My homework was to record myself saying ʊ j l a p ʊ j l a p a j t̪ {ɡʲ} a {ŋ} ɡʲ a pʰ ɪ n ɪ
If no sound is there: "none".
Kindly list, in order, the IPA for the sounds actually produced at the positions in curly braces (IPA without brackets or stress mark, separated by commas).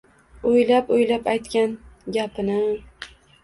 kʲ, n